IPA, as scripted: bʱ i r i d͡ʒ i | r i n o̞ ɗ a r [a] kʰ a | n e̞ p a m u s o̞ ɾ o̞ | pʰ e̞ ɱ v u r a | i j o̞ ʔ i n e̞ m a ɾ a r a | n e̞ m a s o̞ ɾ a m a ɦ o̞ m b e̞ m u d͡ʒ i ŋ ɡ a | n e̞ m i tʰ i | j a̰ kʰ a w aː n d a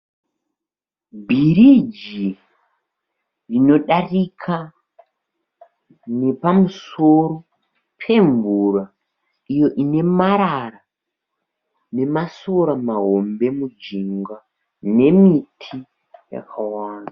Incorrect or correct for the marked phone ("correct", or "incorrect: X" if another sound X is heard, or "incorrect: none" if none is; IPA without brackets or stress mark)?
incorrect: i